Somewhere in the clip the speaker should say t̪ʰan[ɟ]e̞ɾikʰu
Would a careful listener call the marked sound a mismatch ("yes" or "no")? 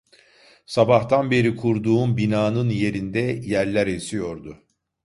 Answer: yes